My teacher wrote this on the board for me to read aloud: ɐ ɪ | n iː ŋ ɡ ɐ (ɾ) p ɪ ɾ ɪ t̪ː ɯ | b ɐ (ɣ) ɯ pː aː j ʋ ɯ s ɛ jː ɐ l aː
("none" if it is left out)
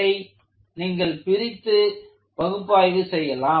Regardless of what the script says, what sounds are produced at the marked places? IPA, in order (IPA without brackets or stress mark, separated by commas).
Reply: ɭ, ɣ